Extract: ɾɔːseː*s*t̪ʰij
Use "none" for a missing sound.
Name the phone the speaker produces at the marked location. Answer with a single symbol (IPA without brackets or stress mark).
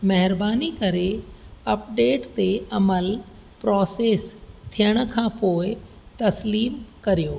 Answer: s